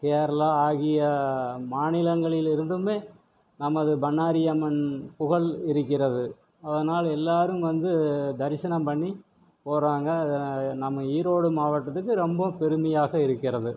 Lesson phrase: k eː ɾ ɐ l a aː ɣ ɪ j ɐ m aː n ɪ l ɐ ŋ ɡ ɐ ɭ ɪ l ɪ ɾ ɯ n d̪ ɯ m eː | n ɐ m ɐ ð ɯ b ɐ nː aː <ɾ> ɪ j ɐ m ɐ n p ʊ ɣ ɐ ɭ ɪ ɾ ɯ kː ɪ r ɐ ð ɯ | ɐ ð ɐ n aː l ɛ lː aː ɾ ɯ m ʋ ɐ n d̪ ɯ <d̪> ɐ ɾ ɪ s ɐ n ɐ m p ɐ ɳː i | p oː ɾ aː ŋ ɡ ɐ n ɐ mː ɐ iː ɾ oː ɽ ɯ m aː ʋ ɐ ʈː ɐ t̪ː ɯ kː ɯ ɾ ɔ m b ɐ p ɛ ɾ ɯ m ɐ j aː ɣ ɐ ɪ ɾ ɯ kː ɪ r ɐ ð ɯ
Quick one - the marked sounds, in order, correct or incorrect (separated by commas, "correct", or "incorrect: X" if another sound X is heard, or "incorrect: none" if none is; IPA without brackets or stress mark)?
correct, correct